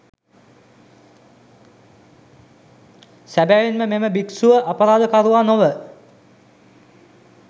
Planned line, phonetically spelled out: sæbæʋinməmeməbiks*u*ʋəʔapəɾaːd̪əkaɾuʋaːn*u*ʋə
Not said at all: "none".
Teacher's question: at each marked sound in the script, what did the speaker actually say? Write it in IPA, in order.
u, o

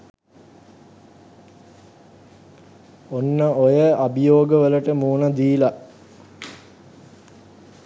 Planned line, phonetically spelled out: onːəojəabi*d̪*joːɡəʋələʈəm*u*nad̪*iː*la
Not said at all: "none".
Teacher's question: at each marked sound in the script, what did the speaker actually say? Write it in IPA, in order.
none, uː, iː

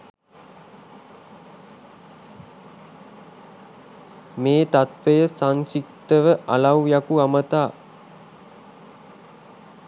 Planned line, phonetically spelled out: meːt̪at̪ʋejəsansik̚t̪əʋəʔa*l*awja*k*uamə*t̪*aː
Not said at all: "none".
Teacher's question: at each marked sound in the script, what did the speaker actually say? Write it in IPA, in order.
l, k, t̪

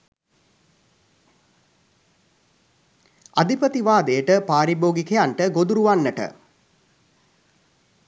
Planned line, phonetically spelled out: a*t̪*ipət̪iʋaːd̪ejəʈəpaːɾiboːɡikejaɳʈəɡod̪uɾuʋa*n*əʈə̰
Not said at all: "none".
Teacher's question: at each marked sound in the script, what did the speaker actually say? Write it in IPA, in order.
d̪, nː

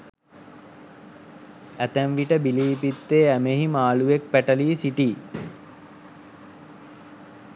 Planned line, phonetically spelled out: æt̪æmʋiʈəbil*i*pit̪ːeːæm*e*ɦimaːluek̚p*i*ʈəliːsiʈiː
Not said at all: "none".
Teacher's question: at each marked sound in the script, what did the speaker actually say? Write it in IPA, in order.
iː, e, æ

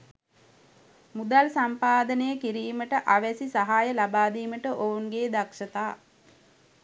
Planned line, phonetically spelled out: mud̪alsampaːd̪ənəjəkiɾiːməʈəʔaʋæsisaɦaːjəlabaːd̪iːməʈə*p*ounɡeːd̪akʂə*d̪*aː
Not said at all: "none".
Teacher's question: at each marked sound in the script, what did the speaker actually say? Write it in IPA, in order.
ʔ, t̪

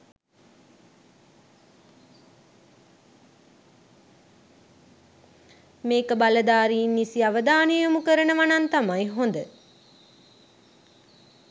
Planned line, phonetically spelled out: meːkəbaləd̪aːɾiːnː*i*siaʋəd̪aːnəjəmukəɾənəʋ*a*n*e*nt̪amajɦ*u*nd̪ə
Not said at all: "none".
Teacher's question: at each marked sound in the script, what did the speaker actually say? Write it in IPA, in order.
i, a, a, o

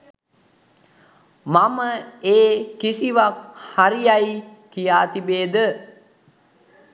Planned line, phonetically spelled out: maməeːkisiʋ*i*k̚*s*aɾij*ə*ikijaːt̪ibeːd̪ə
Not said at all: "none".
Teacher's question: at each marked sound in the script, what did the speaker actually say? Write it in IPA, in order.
a, h, a

